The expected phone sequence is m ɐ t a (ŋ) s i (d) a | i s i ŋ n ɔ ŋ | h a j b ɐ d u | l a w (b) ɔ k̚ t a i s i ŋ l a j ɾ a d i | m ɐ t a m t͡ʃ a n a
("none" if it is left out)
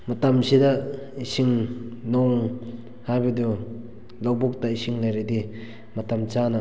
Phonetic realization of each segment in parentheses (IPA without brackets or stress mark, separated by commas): m, d, b